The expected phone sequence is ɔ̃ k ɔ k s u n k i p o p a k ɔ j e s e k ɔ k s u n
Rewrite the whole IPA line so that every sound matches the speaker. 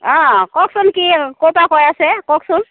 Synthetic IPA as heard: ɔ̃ k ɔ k s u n k i k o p a k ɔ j a s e k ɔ k s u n